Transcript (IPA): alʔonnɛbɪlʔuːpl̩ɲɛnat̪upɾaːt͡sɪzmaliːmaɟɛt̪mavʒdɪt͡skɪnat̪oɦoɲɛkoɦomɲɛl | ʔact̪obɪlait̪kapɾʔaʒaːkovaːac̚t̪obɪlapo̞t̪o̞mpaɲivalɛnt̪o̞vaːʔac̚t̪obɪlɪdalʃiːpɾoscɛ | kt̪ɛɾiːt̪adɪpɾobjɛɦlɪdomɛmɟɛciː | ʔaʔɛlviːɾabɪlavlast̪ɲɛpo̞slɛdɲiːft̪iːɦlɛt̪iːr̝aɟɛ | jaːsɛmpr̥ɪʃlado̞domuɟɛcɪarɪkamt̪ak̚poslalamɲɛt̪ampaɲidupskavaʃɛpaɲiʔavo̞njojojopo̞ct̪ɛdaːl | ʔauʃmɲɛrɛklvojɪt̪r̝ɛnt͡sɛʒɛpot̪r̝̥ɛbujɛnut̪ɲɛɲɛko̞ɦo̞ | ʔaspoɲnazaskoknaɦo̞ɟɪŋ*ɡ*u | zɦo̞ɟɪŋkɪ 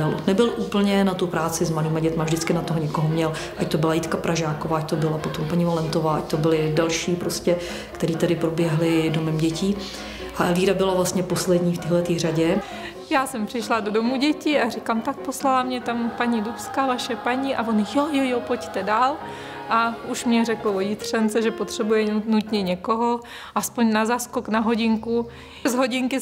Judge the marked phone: incorrect: k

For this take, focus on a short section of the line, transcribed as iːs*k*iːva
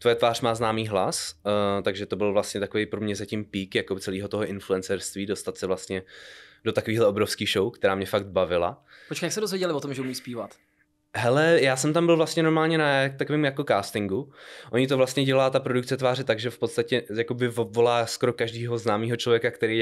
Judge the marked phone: incorrect: p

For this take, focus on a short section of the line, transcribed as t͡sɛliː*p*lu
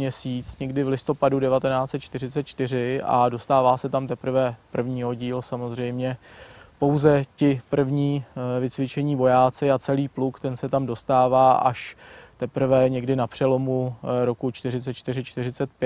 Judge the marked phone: correct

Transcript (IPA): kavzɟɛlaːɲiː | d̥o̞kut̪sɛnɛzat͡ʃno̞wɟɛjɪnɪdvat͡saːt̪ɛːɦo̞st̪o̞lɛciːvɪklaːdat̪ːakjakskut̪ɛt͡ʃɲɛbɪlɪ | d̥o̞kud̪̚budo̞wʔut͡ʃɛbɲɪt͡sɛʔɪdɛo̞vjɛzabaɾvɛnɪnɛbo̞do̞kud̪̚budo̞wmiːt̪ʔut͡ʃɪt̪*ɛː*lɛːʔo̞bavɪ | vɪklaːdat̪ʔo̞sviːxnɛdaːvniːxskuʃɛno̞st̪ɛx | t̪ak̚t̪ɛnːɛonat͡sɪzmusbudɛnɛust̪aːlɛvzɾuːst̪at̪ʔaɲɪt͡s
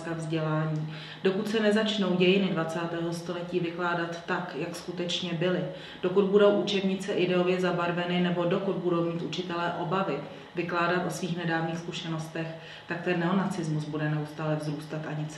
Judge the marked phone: incorrect: ɛ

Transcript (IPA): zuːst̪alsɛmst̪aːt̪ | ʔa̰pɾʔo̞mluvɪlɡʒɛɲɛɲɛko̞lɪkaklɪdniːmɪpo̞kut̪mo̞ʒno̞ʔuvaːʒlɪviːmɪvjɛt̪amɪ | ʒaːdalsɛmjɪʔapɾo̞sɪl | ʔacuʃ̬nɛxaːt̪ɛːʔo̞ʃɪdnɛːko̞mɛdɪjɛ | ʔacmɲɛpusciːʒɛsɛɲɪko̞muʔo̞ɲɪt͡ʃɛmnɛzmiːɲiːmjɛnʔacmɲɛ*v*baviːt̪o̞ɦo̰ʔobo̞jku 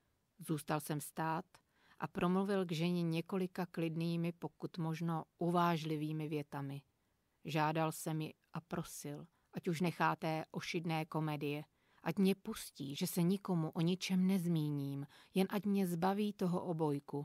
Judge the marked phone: incorrect: z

